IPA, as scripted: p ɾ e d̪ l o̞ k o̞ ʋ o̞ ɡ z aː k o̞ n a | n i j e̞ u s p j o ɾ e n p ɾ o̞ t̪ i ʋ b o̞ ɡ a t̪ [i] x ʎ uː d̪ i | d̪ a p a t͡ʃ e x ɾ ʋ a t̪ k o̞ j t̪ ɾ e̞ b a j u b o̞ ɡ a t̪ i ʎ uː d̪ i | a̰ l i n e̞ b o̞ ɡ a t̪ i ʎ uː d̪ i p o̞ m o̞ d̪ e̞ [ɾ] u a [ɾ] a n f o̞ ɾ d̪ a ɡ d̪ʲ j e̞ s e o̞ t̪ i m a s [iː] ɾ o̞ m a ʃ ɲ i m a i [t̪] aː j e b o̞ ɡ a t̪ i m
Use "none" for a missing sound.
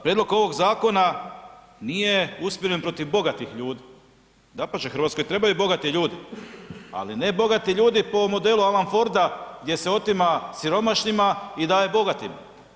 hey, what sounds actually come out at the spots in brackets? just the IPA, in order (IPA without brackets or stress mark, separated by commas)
i, l, l, i, d̪